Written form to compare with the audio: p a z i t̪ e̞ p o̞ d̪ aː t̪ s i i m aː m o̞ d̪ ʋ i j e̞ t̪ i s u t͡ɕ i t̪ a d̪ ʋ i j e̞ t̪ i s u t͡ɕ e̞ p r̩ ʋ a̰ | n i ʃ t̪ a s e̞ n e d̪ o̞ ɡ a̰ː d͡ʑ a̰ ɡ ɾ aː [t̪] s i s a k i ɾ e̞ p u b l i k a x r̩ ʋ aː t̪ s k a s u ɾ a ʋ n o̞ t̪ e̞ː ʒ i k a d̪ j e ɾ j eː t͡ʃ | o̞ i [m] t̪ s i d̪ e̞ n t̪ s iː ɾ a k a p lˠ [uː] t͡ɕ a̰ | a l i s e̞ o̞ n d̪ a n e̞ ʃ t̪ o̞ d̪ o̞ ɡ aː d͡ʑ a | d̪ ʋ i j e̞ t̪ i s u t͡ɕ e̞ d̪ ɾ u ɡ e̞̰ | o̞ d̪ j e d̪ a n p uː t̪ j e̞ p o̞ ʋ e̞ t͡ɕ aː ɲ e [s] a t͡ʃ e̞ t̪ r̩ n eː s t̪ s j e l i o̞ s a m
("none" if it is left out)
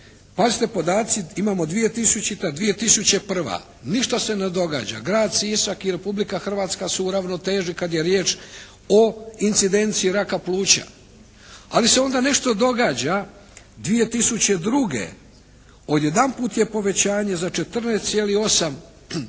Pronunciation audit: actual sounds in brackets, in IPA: d̪, n, uː, z

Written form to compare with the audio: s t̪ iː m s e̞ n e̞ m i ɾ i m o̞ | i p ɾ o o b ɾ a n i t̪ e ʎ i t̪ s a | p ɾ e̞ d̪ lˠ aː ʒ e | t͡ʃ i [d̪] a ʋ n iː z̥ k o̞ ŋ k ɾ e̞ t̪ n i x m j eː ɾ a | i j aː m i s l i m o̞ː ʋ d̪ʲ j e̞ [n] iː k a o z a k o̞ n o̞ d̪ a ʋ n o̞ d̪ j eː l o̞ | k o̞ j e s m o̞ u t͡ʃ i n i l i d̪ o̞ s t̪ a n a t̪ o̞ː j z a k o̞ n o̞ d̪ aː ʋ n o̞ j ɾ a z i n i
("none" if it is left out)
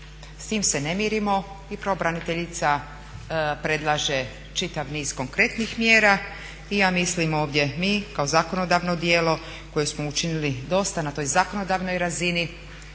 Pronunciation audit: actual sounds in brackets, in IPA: t̪, m

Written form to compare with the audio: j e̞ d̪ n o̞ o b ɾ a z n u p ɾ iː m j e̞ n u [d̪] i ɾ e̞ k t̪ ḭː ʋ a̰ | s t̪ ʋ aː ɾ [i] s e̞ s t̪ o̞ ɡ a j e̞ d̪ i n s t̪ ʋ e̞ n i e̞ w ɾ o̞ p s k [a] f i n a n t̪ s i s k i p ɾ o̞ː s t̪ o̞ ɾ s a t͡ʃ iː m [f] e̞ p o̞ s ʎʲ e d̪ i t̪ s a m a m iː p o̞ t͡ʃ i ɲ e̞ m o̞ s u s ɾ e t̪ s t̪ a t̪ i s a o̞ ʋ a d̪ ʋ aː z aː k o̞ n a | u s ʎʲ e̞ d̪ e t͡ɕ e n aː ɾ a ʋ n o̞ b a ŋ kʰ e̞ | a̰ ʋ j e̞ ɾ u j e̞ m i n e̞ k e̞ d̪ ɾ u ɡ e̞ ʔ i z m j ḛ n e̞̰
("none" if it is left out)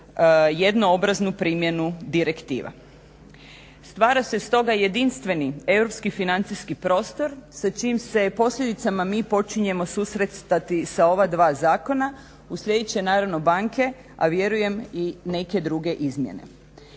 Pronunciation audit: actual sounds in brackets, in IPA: d̪, a, i, s

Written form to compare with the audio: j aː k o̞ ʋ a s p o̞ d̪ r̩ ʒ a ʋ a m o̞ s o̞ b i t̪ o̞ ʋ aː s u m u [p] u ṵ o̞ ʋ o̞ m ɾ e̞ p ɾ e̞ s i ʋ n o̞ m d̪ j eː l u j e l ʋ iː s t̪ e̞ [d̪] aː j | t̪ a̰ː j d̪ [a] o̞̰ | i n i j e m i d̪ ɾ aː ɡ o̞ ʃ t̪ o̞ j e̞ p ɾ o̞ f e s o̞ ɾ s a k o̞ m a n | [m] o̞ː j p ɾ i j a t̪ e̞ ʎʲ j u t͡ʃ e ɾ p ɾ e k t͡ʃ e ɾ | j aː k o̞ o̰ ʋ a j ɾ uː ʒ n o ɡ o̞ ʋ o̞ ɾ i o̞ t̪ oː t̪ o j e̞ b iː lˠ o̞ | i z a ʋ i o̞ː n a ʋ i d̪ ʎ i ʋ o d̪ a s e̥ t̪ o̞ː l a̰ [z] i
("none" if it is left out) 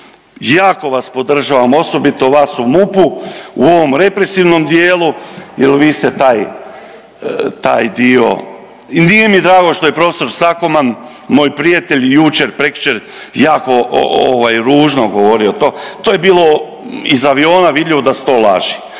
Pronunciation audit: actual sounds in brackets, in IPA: p, t̪, i, m, ʒ

